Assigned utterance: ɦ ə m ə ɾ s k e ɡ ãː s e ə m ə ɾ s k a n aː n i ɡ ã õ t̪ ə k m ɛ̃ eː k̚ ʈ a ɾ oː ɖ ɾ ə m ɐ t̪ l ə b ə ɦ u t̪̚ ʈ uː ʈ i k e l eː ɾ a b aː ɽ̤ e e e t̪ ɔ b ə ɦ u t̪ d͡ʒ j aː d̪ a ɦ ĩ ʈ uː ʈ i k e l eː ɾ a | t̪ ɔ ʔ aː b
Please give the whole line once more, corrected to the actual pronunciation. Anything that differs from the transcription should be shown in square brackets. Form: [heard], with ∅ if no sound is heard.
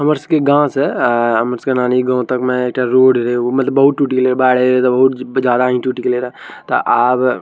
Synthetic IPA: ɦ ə m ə ɾ s k e ɡ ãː s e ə m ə ɾ s k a n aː n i ɡ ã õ t̪ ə k m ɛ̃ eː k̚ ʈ a ɾ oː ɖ ɾ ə m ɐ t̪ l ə b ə ɦ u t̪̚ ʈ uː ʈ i k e l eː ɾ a b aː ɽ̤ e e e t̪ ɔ b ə ɦ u t̪ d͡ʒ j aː d̪ a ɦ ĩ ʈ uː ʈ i k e l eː ɾ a | t̪ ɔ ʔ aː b